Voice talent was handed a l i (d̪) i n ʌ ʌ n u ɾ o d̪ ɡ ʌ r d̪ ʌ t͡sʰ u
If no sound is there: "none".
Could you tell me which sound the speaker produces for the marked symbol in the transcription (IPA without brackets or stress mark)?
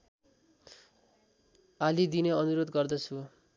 d̪